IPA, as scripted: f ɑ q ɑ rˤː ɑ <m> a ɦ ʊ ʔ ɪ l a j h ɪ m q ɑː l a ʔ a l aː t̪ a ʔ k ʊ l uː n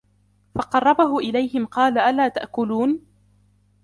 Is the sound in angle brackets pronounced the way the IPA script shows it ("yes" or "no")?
no